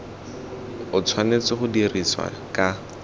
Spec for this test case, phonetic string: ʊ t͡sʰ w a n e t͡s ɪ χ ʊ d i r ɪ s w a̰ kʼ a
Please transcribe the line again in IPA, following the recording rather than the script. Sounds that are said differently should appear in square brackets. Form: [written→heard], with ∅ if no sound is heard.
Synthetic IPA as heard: ʊ t͡sʰ w a n e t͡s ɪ χ ʊ d i r [ɪ→i] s w a̰ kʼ a